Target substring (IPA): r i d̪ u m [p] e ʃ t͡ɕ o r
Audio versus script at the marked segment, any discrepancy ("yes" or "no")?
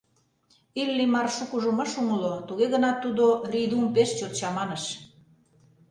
no